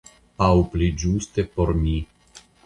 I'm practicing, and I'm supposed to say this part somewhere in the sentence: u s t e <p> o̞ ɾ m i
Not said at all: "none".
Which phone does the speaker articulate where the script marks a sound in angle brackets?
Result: p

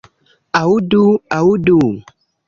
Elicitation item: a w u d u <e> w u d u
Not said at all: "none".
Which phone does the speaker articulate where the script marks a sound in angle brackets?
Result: a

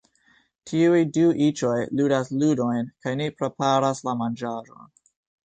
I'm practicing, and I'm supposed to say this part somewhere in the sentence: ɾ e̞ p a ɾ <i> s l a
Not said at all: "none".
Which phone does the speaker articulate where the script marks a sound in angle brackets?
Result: a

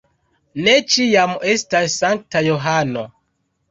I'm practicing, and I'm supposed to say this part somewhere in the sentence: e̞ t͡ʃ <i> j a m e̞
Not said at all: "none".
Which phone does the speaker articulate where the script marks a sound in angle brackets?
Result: i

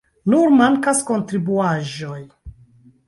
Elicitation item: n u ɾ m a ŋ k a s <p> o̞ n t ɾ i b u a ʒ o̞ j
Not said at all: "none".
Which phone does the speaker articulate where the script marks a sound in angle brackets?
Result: k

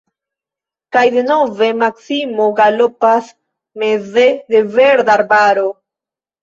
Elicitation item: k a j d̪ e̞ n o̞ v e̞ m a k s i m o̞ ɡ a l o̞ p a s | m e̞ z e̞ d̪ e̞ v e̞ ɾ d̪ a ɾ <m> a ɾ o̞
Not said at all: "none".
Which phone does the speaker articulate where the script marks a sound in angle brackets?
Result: b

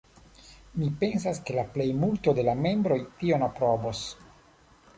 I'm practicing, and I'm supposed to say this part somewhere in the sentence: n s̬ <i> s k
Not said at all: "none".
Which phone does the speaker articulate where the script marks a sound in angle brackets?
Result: a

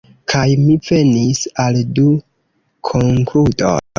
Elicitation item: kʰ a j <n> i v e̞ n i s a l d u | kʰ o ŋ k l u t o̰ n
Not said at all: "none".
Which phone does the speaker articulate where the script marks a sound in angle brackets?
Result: m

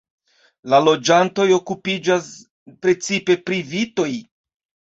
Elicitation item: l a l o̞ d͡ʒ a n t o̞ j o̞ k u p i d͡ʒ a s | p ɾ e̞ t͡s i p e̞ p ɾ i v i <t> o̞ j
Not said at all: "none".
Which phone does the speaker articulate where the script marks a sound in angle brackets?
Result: t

